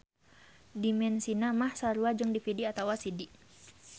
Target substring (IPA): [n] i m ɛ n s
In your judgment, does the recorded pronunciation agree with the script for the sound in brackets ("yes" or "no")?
no